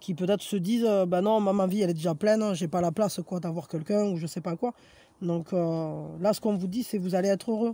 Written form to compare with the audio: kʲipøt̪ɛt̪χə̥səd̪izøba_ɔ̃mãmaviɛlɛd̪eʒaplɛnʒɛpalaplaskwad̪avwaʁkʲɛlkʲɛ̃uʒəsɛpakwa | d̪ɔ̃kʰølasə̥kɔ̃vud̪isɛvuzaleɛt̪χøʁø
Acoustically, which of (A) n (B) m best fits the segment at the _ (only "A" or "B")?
A